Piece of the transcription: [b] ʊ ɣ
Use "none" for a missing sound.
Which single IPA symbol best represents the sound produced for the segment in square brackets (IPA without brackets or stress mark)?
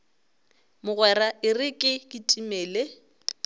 m